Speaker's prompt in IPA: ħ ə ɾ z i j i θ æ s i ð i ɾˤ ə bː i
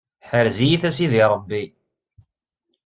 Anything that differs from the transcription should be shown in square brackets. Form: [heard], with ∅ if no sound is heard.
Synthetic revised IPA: ħ ə ɾ z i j i θ æ s i ð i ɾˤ ə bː i